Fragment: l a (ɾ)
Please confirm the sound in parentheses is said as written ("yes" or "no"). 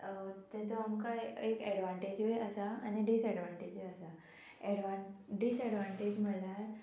yes